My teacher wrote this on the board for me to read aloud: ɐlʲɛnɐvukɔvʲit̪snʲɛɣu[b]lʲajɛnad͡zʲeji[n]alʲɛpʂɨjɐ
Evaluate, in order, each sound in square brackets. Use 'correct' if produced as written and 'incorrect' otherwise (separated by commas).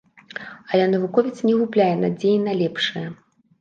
incorrect, correct